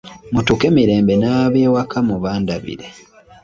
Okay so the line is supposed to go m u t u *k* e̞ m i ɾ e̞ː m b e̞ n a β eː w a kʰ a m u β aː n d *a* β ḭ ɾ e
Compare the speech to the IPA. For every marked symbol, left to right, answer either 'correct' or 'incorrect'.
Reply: correct, correct

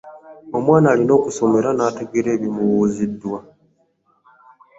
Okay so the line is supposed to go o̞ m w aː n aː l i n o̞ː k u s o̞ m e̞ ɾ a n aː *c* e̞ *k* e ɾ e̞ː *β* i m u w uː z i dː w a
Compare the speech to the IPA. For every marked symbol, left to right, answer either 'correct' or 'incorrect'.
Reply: incorrect, incorrect, correct

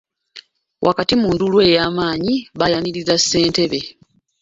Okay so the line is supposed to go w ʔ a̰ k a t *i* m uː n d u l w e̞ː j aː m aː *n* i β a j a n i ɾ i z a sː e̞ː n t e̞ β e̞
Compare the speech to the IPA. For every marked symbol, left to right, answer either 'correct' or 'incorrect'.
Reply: correct, incorrect

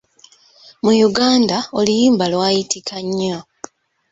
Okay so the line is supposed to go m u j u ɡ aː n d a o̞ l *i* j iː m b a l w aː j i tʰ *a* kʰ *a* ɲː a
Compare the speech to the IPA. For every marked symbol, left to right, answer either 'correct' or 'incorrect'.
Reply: correct, incorrect, correct

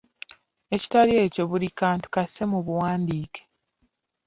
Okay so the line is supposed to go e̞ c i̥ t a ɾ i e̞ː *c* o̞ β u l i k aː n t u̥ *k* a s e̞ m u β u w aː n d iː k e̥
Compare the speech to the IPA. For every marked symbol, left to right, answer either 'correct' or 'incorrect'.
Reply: correct, correct

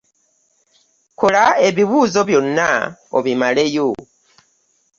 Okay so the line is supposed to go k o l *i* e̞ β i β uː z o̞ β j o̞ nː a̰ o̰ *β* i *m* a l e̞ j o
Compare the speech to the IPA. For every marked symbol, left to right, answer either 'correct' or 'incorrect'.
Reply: incorrect, correct, correct

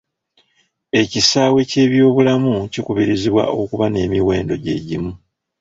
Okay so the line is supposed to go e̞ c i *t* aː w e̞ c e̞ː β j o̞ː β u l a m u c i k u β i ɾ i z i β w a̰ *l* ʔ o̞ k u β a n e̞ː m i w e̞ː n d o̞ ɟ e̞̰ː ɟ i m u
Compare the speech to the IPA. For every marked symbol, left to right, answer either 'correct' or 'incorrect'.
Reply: incorrect, incorrect

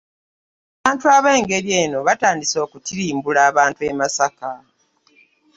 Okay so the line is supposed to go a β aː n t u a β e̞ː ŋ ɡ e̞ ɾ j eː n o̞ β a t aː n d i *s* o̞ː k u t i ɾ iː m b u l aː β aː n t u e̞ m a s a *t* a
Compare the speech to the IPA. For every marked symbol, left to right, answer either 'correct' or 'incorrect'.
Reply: correct, incorrect

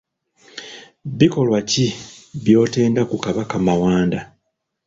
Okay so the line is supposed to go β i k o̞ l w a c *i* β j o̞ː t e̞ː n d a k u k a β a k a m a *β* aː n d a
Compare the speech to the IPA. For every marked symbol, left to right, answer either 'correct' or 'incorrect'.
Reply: correct, incorrect

